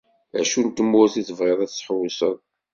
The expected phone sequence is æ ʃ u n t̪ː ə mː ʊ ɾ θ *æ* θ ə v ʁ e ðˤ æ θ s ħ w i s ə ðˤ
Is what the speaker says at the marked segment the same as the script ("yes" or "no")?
no